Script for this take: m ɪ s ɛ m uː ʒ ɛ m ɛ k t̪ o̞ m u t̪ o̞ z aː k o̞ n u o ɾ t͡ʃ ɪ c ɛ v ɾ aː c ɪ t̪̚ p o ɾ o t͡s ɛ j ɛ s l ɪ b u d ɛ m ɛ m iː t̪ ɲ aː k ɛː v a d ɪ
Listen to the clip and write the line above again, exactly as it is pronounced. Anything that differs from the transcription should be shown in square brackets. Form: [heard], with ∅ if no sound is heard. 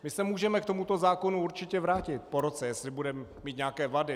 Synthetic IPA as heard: m ɪ s ɛ m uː ʒ ɛ m ɛ k t̪ o̞ m u t̪ o̞ z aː k o̞ n u [u] ɾ t͡ʃ ɪ c ɛ v ɾ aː c ɪ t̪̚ p o ɾ o t͡s ɛ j ɛ s l ɪ b u d ɛ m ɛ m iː t̪ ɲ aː k ɛː v a d ɪ